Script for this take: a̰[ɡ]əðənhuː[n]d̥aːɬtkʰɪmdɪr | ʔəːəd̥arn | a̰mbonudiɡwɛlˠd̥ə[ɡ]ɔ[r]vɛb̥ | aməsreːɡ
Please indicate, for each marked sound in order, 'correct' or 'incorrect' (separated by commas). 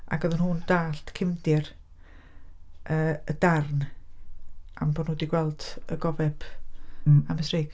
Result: correct, correct, correct, incorrect